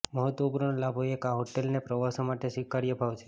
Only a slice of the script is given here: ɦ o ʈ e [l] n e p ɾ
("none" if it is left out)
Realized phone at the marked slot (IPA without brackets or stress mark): l